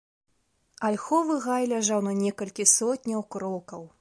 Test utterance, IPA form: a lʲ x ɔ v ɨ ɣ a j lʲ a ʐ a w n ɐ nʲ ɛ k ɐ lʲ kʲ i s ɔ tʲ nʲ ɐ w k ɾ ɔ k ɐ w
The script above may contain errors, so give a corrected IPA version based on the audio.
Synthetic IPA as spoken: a lʲ x ɔ v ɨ ɣ a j lʲ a ʐ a w n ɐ nʲ ɛ k ɐ lʲ kʲ i s ɔ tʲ nʲ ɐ w k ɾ ɔ k ɐ w